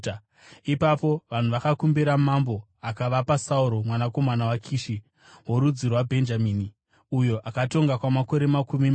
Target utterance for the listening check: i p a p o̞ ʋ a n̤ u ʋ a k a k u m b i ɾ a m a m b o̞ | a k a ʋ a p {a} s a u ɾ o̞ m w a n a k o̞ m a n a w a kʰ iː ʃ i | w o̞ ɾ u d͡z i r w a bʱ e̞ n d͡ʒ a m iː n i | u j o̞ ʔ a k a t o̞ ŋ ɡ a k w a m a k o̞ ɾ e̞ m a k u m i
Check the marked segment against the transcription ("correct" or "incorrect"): correct